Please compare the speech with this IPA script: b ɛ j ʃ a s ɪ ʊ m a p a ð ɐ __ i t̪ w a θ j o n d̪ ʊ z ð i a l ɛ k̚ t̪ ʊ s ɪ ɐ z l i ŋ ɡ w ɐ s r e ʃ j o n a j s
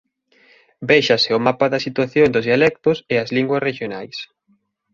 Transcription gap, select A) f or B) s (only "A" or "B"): B